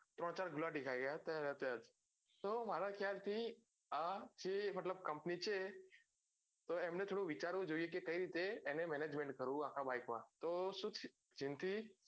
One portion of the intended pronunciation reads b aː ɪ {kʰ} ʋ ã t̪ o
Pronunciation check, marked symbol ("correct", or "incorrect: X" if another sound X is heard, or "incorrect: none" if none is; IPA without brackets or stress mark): incorrect: k